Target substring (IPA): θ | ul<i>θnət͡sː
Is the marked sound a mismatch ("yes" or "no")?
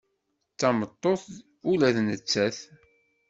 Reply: yes